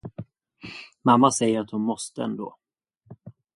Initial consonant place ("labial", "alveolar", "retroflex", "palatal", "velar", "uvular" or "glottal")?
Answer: labial